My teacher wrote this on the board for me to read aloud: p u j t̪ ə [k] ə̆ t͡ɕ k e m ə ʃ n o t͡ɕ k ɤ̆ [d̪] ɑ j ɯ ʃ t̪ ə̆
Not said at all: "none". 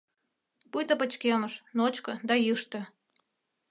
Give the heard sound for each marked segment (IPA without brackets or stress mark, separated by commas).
p, d̪